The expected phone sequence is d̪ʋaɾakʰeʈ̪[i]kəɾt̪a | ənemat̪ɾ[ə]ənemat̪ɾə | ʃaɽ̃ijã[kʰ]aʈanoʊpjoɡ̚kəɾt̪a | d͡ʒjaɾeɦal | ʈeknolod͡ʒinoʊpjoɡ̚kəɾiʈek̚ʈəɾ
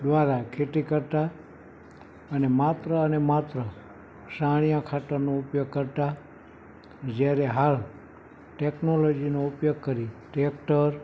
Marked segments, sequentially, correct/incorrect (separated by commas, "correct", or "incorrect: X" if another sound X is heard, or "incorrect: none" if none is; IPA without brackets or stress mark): correct, correct, correct